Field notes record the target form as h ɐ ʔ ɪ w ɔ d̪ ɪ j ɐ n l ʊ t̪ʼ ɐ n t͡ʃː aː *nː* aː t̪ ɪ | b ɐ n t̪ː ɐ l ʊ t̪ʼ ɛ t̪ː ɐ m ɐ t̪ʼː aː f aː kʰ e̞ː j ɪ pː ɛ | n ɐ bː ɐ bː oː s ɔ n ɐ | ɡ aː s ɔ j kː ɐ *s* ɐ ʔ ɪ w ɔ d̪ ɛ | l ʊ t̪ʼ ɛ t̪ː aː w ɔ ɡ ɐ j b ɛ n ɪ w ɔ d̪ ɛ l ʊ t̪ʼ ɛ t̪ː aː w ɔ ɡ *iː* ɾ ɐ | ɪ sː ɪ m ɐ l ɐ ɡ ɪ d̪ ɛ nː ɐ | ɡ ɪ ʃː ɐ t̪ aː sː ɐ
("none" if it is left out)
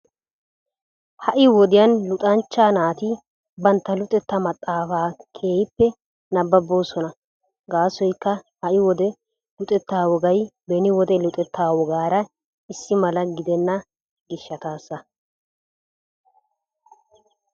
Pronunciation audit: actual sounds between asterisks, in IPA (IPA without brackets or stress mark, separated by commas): n, h, aː